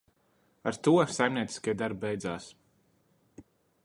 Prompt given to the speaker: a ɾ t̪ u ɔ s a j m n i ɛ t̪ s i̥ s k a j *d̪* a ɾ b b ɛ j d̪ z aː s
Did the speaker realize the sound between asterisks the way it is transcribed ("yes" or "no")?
yes